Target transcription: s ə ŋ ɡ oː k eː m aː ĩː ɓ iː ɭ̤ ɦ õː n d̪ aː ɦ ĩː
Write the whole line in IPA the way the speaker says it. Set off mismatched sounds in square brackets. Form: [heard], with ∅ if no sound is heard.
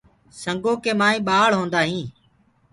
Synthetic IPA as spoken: s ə ŋ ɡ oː k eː m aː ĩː ɓ [aː] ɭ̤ ɦ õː n d̪ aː ɦ ĩː